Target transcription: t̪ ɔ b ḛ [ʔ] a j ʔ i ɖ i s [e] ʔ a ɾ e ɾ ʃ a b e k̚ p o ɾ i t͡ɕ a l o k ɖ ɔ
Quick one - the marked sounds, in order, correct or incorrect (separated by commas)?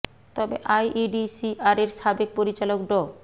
correct, incorrect